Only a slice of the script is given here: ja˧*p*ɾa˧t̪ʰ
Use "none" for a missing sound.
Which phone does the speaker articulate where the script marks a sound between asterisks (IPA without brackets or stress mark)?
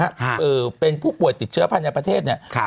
p